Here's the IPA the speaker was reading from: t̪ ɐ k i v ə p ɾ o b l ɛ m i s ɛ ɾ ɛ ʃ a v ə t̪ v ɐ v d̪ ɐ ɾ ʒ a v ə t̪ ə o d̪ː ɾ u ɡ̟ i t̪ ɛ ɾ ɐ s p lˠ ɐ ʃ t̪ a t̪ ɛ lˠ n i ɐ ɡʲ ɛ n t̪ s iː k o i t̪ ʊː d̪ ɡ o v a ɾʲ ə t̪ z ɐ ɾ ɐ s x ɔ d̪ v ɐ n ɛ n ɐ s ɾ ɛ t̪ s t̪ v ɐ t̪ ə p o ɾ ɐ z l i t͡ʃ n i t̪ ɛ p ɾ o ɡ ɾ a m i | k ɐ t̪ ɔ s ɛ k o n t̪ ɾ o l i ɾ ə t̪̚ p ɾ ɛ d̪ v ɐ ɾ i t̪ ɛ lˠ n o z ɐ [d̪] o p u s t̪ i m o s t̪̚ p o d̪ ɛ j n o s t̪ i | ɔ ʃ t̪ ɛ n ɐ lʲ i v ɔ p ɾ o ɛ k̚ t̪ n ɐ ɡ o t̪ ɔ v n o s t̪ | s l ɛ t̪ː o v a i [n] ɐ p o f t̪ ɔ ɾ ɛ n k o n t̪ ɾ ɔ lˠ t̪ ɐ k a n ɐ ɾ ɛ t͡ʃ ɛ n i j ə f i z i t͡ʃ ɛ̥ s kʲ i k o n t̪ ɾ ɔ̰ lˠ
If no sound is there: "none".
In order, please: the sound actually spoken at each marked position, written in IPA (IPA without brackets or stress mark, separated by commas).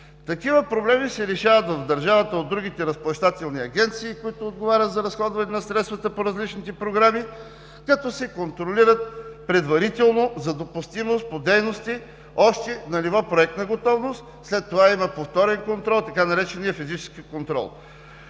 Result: d̪, m